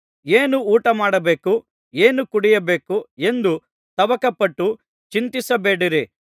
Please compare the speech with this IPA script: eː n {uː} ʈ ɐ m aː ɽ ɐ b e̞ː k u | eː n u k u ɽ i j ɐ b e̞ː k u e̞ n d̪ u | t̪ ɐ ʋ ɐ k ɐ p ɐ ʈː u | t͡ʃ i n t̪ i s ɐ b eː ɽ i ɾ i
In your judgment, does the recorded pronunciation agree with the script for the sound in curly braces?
yes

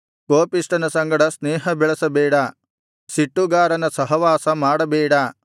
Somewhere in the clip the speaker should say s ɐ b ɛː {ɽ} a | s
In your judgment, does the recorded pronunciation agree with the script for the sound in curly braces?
yes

